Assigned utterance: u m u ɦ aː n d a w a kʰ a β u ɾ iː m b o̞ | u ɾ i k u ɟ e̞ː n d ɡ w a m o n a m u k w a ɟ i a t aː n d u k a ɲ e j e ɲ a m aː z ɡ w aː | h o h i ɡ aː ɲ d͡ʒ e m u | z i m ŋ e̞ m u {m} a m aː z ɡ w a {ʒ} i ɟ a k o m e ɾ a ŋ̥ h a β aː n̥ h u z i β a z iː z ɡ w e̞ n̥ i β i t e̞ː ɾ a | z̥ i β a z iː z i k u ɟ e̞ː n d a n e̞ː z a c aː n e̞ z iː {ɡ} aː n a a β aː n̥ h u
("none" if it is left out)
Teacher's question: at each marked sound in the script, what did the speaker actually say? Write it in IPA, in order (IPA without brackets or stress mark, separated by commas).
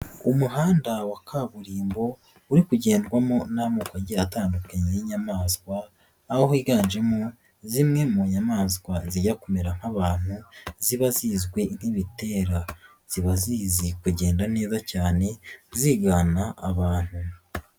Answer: ɲ, z, ɡ